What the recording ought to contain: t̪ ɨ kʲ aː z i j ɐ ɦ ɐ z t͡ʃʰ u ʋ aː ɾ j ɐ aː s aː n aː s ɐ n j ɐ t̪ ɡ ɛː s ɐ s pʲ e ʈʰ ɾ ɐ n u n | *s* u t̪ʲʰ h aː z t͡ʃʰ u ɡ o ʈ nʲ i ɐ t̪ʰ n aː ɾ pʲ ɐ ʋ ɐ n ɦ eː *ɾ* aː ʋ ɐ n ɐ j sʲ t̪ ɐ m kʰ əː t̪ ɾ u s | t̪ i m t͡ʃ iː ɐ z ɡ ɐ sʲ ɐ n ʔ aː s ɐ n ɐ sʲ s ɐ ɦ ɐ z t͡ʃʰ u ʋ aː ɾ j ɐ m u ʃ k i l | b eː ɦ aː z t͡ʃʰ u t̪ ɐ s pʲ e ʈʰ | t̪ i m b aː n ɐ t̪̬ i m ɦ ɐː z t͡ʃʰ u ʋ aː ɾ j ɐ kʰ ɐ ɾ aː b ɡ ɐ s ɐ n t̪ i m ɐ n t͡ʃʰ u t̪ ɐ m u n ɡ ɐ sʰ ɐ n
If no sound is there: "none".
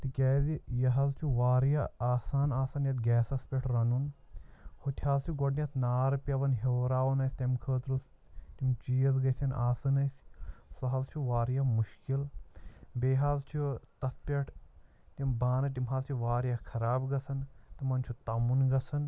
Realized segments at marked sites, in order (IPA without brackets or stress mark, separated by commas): h, ɾ